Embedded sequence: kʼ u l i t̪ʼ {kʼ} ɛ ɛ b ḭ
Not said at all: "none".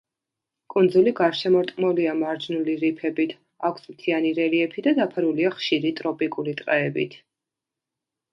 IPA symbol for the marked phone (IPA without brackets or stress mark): qʼ